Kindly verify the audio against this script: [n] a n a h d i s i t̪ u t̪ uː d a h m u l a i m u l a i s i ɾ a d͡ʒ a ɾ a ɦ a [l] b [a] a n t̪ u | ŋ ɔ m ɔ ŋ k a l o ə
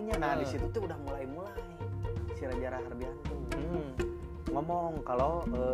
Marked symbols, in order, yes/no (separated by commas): no, no, no